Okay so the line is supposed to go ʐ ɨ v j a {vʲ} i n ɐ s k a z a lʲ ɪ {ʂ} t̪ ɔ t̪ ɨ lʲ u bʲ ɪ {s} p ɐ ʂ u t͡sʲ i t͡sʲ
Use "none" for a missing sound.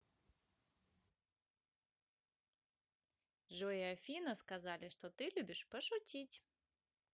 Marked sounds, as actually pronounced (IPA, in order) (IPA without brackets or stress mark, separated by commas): fʲ, ʂ, ʂ